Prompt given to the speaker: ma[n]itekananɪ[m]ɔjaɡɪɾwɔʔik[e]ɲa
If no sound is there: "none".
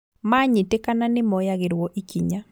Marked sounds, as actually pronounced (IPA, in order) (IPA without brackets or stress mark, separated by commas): ɲ, m, i